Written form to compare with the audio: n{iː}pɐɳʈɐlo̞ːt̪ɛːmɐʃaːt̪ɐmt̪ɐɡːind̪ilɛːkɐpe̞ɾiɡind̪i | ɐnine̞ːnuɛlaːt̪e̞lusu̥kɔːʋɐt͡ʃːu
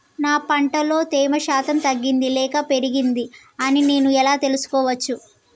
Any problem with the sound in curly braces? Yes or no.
yes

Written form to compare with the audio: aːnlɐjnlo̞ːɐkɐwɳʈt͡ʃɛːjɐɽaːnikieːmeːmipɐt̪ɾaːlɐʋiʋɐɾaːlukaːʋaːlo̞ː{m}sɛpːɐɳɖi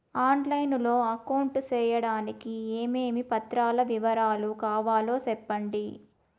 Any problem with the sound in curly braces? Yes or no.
yes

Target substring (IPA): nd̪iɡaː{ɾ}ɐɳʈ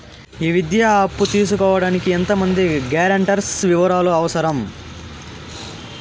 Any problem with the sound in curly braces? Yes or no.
no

